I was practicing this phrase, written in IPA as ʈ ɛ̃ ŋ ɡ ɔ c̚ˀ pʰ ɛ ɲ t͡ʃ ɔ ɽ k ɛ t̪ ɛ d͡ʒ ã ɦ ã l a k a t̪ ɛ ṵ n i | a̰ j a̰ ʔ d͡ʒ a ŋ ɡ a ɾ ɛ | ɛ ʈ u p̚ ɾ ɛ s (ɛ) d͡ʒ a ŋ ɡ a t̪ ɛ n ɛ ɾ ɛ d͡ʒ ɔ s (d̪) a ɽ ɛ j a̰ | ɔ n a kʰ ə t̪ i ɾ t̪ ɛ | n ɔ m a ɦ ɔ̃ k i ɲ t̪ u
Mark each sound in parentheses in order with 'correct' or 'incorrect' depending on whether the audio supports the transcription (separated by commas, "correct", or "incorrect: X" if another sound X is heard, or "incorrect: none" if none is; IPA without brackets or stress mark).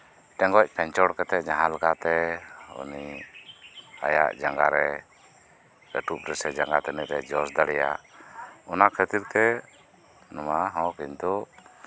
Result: correct, correct